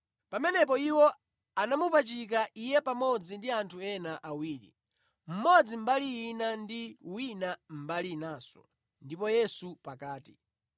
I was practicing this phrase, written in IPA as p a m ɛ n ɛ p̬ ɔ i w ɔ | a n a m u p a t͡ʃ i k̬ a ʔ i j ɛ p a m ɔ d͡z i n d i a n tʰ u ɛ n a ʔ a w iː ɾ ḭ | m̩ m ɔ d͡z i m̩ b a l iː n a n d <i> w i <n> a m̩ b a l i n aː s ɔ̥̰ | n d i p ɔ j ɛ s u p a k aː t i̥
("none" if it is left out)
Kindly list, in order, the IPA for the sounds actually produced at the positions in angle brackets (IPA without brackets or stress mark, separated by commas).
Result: i, n